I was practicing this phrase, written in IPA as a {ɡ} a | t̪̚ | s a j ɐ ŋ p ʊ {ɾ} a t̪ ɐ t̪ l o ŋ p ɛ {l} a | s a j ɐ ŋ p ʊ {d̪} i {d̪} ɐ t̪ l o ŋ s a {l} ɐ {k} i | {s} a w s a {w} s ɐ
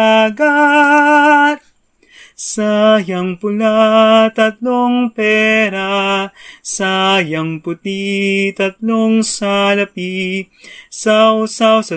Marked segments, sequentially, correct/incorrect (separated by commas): correct, incorrect, incorrect, incorrect, incorrect, correct, incorrect, correct, correct